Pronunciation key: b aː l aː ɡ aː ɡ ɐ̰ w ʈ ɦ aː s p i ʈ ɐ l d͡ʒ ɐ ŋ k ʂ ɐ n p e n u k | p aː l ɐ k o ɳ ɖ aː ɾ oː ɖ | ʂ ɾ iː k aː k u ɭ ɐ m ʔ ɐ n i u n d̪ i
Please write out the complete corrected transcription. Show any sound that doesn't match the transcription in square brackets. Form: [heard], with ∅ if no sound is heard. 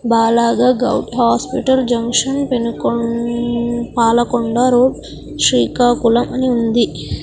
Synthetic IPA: b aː l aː ɡ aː ɡ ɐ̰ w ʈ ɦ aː s p i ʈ ɐ l d͡ʒ ɐ ŋ k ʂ ɐ n p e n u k | p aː l ɐ k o ɳ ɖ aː ɾ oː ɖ | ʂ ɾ iː k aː k u [l] ɐ m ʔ ɐ n i u n d̪ i